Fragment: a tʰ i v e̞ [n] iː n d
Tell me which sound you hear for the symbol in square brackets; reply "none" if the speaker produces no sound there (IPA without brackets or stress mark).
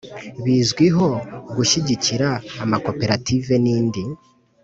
n